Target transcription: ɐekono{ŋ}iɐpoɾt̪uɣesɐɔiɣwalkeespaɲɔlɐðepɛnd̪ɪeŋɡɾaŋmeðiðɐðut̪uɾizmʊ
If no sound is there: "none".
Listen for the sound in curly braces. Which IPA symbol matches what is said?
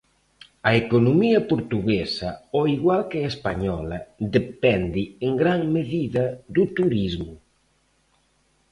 m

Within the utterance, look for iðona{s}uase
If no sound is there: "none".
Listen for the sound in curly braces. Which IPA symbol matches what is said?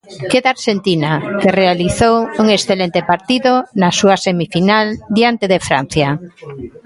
s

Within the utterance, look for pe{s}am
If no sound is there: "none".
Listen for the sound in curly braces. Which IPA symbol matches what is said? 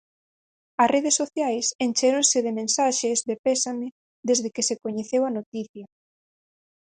s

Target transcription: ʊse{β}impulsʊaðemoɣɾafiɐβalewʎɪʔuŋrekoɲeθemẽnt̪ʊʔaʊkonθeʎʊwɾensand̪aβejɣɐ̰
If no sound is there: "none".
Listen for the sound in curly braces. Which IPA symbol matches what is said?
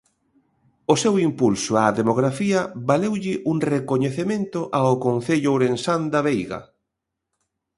w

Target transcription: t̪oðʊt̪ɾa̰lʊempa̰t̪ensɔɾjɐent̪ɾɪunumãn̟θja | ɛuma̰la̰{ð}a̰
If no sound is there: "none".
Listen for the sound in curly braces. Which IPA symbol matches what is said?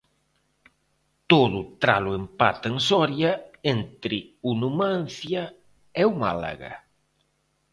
ɣ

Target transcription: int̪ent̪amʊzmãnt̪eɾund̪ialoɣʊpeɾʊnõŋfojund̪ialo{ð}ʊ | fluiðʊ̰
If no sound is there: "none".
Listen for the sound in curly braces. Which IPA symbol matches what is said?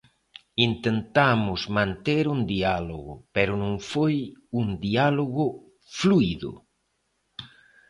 ɣ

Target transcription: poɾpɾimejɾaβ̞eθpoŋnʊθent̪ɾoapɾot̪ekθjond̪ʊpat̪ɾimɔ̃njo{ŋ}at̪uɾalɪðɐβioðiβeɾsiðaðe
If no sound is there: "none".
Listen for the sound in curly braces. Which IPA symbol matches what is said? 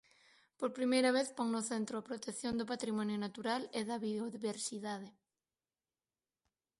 n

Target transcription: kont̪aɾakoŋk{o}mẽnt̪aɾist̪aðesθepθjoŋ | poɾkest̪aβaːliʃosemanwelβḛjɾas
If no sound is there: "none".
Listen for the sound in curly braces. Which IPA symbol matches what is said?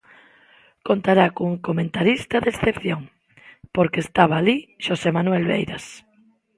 o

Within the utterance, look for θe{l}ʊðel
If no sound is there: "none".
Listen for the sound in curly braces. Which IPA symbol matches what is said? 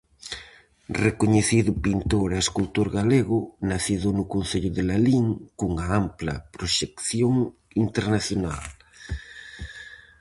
ʎ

